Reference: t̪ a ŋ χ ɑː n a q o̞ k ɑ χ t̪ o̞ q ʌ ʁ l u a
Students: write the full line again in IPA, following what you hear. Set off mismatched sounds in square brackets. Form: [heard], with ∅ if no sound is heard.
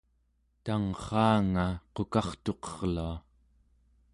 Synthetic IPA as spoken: t̪ a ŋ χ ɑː [ŋ] a q o̞ k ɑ χ t̪ o̞ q ʌ ʁ l u a